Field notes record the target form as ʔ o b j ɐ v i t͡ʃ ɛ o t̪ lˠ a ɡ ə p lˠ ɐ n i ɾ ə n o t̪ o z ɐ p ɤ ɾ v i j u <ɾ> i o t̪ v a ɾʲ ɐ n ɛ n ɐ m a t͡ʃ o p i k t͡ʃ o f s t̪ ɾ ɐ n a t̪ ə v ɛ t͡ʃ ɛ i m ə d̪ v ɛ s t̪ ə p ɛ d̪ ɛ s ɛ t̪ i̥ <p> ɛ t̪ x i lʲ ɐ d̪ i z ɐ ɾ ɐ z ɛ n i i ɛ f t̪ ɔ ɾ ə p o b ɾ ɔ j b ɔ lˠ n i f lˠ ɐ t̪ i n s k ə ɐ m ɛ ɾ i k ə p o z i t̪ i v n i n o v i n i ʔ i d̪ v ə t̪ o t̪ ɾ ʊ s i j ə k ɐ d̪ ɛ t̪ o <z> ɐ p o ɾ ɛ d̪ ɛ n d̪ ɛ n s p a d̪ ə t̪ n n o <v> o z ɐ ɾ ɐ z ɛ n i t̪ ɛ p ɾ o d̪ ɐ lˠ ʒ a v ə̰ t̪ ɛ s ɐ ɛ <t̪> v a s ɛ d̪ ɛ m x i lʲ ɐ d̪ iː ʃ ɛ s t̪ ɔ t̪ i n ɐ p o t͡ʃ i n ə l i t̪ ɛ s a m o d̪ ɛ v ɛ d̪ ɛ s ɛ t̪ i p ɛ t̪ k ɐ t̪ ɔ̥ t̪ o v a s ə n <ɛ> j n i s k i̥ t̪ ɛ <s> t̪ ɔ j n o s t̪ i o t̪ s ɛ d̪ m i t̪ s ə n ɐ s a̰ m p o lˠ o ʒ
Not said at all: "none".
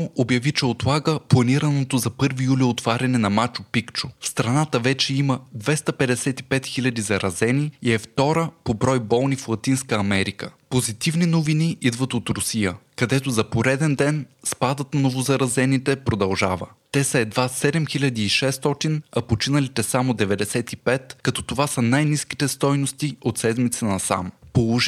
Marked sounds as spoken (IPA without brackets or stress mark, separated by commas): l, p, z, v, d̪, a, s